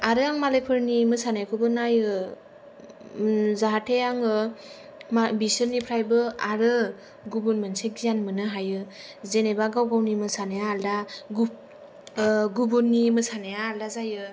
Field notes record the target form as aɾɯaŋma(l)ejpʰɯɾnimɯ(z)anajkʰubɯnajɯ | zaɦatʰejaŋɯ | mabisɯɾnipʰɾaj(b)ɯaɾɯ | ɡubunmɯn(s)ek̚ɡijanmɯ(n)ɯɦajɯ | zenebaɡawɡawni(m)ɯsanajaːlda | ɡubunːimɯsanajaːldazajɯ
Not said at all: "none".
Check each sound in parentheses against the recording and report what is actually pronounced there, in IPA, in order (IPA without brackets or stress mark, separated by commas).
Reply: l, s, b, s, n, m